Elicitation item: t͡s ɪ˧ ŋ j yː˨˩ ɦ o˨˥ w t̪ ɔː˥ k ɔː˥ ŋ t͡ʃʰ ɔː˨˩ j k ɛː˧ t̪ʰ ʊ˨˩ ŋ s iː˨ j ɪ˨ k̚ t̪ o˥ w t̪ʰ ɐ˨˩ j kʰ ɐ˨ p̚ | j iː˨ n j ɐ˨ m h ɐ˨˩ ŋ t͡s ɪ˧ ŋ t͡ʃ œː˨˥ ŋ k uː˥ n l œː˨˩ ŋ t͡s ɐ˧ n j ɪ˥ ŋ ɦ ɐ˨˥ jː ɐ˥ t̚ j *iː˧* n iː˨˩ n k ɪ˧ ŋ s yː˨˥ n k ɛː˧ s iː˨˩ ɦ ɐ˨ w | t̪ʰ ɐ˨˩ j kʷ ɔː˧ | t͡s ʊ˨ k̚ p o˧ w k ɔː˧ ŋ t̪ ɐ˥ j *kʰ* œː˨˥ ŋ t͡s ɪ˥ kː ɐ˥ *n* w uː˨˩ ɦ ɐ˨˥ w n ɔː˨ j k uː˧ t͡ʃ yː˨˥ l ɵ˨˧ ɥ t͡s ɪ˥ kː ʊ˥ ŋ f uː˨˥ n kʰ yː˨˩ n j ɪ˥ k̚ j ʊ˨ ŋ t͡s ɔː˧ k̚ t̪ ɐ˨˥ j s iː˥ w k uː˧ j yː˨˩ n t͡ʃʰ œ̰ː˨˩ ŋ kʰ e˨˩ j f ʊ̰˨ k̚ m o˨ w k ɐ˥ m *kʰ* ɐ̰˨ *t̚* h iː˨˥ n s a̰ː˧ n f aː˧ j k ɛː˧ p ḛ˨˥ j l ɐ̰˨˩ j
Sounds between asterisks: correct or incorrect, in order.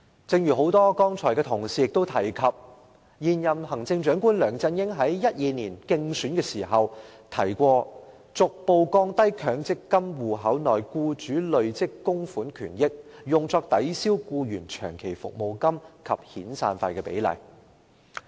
correct, correct, incorrect, correct, incorrect

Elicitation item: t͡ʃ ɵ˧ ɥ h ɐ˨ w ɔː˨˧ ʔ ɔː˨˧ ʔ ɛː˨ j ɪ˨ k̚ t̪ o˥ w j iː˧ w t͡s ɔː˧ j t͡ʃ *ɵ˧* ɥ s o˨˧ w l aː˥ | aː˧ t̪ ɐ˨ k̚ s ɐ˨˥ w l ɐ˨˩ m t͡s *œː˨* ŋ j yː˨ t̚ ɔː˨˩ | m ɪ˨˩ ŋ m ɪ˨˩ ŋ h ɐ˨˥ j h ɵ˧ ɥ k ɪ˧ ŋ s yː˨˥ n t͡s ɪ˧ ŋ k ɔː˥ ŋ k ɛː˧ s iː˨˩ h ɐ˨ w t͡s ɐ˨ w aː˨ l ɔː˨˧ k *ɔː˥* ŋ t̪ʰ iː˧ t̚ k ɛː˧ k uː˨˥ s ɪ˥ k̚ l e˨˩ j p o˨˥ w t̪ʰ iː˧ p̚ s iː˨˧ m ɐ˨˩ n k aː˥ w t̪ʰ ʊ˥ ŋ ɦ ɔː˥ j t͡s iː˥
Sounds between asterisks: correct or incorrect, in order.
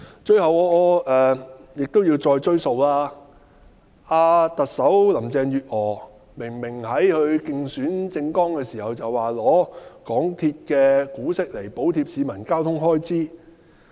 incorrect, incorrect, incorrect

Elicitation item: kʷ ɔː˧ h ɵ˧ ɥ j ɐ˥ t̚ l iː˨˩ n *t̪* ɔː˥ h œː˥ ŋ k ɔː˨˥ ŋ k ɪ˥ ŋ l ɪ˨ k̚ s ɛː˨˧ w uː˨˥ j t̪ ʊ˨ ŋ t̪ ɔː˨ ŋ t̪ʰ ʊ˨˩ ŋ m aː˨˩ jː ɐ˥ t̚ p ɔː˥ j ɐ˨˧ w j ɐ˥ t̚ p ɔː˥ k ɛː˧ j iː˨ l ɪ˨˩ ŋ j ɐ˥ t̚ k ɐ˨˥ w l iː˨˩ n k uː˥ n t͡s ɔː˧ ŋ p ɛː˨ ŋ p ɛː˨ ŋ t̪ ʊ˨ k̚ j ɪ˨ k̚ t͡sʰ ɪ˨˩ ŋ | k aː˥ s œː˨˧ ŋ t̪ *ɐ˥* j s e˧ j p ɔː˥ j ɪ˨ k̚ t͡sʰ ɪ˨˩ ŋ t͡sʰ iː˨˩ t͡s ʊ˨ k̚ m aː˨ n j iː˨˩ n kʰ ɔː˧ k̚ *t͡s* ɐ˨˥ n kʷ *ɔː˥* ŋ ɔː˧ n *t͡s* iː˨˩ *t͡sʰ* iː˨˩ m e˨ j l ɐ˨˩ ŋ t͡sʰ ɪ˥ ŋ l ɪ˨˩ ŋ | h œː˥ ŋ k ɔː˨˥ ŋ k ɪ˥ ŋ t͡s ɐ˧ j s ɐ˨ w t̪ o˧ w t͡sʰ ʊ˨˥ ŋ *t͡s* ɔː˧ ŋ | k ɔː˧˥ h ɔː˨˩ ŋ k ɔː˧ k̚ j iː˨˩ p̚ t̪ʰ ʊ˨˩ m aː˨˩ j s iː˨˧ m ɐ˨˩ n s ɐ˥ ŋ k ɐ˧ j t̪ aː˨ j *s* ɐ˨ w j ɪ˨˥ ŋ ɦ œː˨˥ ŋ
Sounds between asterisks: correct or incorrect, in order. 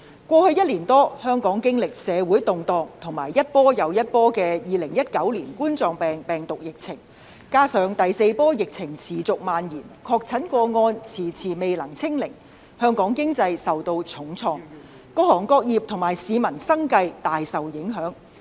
correct, incorrect, incorrect, incorrect, incorrect, correct, incorrect, correct

